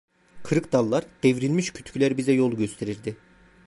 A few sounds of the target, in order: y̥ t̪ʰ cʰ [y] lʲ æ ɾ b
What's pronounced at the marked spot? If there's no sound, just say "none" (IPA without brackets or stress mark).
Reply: y